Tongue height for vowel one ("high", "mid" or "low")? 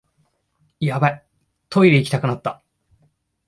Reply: low